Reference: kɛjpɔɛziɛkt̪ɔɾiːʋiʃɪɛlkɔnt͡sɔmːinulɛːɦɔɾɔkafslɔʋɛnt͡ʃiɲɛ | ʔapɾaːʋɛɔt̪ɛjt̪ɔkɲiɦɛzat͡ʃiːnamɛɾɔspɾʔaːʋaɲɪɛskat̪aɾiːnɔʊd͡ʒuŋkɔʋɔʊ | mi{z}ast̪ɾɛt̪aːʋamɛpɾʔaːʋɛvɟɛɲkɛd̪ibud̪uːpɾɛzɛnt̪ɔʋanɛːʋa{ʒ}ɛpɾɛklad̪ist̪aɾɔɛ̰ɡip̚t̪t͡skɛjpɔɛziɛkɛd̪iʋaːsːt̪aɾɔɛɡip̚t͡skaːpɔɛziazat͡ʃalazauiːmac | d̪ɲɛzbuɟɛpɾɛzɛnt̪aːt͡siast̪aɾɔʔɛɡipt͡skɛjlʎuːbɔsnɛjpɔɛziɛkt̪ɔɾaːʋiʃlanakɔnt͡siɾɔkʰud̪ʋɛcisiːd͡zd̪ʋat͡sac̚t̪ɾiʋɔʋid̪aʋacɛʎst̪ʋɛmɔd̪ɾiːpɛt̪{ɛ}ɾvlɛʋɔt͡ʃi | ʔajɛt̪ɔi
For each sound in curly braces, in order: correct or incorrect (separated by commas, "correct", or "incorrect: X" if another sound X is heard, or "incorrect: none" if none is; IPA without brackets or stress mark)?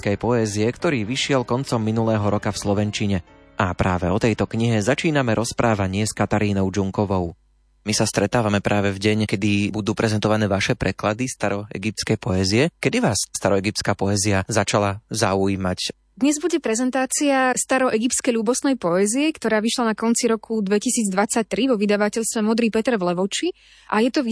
incorrect: s, incorrect: ʃ, correct